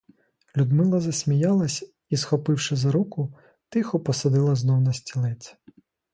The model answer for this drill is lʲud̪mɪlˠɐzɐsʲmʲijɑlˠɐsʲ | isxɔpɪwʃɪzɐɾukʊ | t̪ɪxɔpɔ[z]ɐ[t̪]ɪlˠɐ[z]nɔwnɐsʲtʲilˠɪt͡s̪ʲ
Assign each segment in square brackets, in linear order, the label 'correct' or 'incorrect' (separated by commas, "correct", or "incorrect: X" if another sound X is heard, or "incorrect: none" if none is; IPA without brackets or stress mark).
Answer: incorrect: s, incorrect: d̪, correct